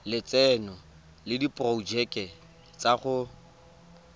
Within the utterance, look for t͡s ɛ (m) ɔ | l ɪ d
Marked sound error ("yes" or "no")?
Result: yes